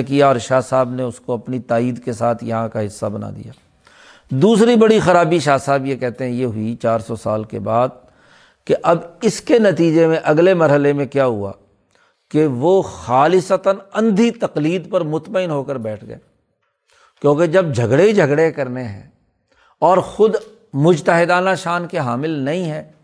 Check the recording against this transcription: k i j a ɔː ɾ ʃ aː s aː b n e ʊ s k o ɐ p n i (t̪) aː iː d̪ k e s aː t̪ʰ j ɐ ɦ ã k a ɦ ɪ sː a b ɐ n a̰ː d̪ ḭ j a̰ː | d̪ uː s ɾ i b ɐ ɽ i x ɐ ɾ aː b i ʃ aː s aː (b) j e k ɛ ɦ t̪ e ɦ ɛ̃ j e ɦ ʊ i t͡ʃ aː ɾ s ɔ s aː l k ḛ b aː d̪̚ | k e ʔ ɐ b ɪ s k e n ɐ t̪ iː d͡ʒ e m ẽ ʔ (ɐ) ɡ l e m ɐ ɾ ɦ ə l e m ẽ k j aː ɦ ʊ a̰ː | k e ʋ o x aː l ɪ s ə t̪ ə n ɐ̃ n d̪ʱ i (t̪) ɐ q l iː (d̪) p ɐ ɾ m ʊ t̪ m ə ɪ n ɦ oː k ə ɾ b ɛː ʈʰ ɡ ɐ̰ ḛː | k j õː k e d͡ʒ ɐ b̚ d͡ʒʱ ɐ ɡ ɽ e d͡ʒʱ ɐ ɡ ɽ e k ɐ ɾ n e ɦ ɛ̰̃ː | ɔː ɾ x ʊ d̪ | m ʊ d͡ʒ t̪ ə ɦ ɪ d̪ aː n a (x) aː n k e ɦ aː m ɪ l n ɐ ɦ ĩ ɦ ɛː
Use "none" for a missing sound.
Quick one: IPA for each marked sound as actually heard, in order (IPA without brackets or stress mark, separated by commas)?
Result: t̪, b, ɐ, t̪, d̪, ʃ